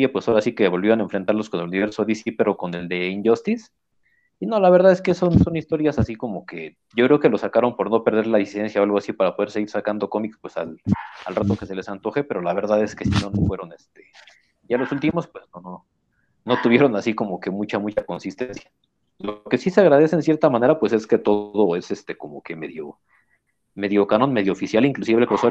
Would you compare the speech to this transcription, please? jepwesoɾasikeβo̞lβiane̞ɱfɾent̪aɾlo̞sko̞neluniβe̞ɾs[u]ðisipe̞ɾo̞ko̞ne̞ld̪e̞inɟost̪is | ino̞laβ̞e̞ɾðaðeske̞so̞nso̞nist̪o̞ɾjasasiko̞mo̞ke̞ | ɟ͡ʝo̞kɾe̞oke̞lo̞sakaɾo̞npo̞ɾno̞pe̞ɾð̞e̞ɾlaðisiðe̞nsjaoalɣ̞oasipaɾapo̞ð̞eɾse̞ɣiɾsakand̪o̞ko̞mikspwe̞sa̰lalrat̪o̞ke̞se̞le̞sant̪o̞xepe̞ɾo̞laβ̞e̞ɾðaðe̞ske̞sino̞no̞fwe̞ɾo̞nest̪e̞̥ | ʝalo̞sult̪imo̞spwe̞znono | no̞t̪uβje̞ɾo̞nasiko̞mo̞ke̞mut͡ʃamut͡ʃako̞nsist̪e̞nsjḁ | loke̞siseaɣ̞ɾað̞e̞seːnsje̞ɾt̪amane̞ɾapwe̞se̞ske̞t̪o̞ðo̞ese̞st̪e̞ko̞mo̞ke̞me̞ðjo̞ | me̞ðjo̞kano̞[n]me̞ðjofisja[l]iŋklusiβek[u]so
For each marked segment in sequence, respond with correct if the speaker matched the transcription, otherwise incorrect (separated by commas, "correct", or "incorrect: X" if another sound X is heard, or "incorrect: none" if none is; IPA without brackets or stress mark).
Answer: incorrect: o, correct, correct, incorrect: o